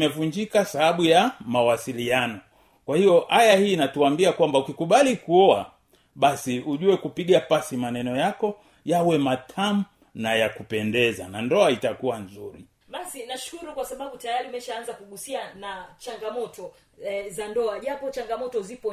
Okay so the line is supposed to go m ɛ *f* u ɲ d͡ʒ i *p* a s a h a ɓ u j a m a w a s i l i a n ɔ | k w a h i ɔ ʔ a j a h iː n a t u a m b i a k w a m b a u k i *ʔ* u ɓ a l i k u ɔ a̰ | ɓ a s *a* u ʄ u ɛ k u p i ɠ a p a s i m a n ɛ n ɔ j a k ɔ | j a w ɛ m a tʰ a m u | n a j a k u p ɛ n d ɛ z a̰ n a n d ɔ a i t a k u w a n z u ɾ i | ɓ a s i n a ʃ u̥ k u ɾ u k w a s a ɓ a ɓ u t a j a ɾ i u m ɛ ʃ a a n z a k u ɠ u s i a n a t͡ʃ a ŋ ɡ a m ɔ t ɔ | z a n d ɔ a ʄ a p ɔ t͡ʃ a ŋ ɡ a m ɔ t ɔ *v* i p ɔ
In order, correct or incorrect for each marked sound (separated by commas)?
incorrect, incorrect, incorrect, incorrect, incorrect